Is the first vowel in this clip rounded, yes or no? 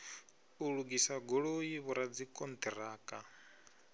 yes